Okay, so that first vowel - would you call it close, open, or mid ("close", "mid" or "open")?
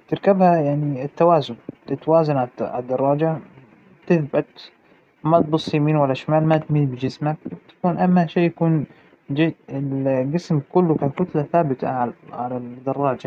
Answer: close